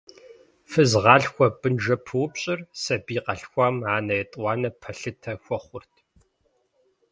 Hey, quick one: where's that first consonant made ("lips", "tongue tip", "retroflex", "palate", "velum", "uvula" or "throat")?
lips